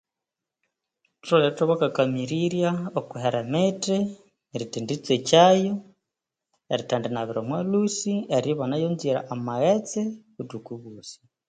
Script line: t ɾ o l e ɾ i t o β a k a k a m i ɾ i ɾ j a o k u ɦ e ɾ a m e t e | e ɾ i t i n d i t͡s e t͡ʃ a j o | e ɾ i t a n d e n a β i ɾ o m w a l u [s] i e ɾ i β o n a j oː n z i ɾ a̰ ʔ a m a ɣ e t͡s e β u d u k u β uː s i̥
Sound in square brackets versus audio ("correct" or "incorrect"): correct